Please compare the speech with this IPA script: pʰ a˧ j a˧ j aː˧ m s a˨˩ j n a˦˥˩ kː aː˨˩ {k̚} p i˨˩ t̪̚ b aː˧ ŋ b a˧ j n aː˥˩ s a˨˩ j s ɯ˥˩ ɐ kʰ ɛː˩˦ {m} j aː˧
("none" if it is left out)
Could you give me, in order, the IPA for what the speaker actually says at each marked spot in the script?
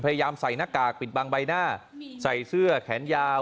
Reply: k̚, n

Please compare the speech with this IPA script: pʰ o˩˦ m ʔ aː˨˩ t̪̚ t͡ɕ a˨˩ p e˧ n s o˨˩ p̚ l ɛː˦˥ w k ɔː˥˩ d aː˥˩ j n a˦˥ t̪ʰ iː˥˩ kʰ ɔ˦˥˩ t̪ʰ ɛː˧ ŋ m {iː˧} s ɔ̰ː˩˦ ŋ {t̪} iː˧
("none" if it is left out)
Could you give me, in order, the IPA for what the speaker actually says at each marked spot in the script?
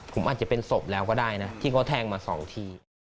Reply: aː˧, t̪ʰ

